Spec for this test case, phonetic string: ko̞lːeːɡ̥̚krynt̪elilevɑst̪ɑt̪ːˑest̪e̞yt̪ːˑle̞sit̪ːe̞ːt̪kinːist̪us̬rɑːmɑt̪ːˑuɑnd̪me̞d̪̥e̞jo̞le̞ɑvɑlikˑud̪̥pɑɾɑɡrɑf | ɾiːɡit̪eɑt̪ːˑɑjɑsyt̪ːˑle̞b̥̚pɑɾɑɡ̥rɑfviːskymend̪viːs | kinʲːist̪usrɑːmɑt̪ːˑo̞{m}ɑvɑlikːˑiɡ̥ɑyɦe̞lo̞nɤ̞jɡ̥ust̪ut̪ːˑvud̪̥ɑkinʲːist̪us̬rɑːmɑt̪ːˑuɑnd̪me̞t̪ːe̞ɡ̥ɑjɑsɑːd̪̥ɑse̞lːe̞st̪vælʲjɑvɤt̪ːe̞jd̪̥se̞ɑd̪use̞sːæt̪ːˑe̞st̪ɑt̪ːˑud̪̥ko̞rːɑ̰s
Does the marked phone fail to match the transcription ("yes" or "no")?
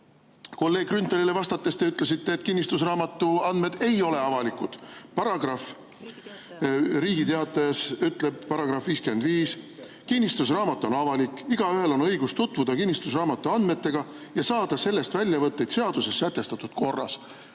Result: yes